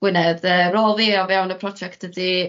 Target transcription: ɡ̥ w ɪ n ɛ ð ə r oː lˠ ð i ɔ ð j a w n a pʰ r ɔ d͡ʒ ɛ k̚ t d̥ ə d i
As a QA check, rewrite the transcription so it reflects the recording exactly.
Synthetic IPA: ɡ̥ w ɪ n ɛ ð ə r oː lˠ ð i ɔ v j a w n ə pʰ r ɔ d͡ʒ ɛ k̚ t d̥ ə d i